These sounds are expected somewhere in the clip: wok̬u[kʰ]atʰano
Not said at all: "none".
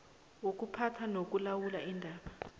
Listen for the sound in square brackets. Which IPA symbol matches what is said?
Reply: pʰ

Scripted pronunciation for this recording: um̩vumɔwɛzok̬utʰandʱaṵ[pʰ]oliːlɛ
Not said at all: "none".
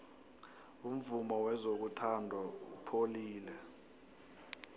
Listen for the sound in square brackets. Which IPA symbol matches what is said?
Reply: pʰ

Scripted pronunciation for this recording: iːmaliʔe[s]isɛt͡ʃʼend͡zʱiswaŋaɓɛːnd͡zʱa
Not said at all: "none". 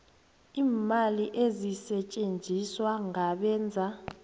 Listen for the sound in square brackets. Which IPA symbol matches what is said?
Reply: z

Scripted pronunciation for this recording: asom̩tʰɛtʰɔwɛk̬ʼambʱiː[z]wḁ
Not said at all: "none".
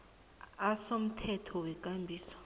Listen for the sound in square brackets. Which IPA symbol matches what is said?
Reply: s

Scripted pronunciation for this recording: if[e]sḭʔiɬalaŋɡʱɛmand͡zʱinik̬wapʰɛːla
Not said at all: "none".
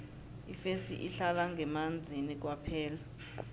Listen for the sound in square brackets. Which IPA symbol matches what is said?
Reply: e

